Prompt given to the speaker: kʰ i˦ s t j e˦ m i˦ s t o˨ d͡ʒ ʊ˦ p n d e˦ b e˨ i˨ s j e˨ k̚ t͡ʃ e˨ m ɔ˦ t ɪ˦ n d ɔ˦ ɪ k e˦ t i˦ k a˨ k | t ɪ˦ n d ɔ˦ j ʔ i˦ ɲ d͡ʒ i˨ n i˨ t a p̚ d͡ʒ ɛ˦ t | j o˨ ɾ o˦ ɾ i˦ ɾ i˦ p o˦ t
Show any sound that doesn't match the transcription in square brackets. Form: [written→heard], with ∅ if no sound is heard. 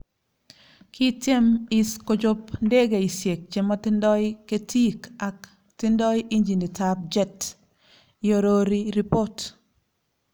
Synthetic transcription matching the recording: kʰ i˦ [s→∅] t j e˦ m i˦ s [t→k] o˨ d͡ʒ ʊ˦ p n d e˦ [b→ɡ] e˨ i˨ s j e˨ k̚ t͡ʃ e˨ m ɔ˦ t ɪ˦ n d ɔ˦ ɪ k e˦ t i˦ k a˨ k | t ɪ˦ n d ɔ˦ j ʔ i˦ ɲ d͡ʒ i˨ n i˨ t a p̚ d͡ʒ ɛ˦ t | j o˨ ɾ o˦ ɾ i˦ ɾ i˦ p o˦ t